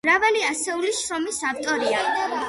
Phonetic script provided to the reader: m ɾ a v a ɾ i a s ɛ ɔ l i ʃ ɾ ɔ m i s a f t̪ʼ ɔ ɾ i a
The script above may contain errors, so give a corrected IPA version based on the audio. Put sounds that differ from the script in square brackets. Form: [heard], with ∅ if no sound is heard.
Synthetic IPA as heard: m ɾ a v a [l] i a s ɛ [u] l i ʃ ɾ ɔ m i s a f t̪ʼ ɔ ɾ i a